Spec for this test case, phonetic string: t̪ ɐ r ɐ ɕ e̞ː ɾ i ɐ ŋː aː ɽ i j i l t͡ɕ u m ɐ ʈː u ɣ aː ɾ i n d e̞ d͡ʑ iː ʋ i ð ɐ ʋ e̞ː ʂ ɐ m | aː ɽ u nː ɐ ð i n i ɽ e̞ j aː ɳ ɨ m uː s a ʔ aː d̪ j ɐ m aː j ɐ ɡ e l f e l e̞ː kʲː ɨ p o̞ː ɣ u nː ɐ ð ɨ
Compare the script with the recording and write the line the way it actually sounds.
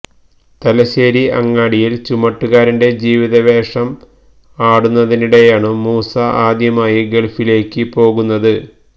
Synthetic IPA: t̪ ɐ l ɐ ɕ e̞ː ɾ i ɐ ŋː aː ɽ i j i l t͡ɕ u m ɐ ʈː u ɣ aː ɾ i n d e̞ d͡ʑ iː ʋ i ð ɐ ʋ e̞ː ʂ ɐ m | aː ɽ u nː ɐ ð i n i ɽ e̞ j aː ɳ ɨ m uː s a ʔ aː d̪ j ɐ m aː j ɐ ɡ e ɭ f i l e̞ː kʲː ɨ p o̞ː ɣ u nː ɐ ð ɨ